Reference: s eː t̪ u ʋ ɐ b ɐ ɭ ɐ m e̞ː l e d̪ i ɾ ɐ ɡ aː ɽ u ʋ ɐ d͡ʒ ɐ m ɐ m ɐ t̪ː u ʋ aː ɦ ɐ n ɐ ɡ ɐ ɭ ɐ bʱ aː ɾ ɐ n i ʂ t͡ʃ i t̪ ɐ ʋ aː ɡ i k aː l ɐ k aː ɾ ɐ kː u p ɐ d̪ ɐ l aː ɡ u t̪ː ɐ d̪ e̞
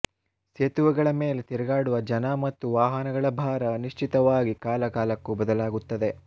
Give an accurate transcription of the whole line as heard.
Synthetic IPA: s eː t̪ u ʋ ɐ ɡ ɐ ɭ ɐ m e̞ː l e t̪ i ɾ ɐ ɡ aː ɽ u ʋ ɐ d͡ʒ ɐ n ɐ m ɐ t̪ː u ʋ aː ɦ ɐ n ɐ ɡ ɐ ɭ ɐ bʱ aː ɾ ɐ n i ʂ t͡ʃ i t̪ ɐ ʋ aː ɡ i k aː l ɐ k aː l ɐ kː u b ɐ d̪ ɐ l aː ɡ u t̪ː ɐ d̪ e̞